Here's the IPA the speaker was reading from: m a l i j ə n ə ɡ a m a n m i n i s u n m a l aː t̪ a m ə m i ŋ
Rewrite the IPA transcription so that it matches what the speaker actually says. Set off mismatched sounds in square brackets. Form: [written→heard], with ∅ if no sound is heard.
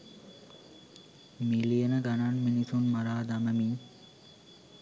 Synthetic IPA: m [a→i] l i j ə n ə ɡ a [m→n] a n m i n i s u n m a [l→ɾ] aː [t̪→d̪] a m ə m i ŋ